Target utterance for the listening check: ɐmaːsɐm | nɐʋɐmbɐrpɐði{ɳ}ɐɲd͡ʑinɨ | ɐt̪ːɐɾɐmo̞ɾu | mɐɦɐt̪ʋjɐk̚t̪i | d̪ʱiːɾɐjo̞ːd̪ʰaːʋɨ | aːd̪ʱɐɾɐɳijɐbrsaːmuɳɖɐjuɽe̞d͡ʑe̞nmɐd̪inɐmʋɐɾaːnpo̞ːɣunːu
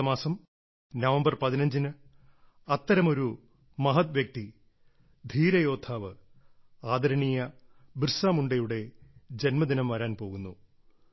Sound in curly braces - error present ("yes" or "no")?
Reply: yes